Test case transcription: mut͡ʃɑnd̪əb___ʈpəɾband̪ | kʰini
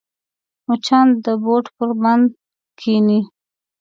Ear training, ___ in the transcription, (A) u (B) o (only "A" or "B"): B